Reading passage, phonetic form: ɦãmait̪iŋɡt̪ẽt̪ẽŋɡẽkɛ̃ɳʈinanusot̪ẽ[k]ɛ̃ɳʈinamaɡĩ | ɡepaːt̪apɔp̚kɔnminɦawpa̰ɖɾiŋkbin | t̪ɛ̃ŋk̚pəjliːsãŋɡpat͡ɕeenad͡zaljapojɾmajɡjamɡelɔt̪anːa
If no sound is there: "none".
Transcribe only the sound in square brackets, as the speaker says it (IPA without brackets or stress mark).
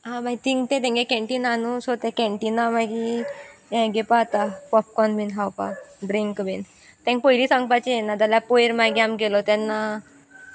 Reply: k